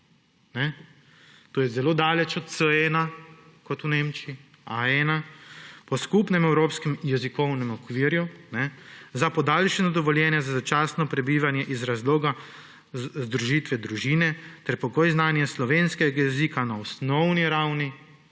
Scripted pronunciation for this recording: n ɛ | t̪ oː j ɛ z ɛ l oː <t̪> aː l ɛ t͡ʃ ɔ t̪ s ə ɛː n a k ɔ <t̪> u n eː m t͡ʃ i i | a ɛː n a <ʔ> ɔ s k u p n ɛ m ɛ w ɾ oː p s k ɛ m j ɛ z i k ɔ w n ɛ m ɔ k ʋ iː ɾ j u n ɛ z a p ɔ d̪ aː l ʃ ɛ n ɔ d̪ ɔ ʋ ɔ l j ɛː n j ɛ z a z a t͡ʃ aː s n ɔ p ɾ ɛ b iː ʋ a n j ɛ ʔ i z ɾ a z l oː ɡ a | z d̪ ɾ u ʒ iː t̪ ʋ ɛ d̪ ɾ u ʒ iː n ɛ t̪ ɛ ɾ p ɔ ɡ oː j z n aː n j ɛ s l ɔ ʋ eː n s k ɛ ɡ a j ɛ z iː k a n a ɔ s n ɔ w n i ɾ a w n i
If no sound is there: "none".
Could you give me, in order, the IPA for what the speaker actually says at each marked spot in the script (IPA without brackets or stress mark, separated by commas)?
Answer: d̪, t̪, p